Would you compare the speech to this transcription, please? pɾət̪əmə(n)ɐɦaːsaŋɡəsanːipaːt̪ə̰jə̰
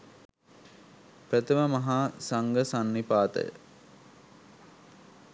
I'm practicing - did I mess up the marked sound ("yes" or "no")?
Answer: yes